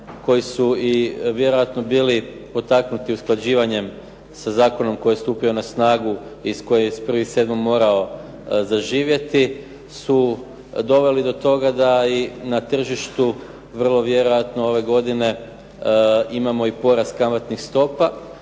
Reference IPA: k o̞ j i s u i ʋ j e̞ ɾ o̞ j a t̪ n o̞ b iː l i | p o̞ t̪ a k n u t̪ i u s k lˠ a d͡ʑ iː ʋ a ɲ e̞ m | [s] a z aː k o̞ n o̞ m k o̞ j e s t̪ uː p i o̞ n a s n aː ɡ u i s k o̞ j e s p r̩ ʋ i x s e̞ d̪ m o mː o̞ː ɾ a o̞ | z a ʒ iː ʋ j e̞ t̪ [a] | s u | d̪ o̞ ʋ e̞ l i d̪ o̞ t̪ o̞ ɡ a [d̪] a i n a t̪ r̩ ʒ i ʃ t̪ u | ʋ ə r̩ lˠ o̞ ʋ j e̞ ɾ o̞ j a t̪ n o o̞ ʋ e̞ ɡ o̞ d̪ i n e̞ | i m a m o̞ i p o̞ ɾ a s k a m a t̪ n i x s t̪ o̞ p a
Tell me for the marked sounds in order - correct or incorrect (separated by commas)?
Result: correct, incorrect, correct